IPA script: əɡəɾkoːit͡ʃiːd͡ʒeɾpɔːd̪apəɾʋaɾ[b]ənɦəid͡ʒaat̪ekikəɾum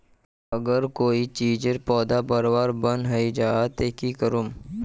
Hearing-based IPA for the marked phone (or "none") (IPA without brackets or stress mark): b